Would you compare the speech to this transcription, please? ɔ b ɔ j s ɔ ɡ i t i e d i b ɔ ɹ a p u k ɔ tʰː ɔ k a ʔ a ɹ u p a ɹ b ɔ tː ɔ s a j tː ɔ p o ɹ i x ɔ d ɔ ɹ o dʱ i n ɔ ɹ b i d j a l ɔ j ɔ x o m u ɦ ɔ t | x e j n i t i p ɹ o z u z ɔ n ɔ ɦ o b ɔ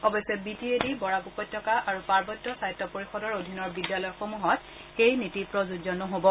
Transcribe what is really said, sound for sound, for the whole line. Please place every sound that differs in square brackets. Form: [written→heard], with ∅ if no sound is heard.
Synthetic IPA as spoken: ɔ b ɔ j s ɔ [ɡ→b] i t i e d i b ɔ ɹ a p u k ɔ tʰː ɔ k a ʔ a ɹ u p a ɹ b ɔ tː ɔ s a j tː ɔ p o ɹ i x ɔ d ɔ ɹ o dʱ i n ɔ ɹ b i d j a l ɔ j ɔ x o m u ɦ ɔ t | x e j n i t i p ɹ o z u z ɔ n ɔ ɦ o b ɔ